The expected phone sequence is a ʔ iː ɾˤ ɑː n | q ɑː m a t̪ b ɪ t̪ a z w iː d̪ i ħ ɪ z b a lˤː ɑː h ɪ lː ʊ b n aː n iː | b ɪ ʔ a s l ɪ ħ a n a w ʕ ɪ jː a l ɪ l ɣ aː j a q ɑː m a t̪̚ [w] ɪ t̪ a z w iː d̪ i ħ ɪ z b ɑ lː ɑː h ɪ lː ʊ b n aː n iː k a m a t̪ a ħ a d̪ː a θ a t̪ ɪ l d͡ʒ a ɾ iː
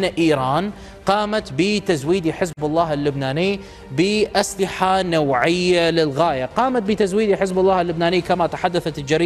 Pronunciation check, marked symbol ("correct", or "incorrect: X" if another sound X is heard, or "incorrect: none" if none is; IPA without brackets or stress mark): incorrect: b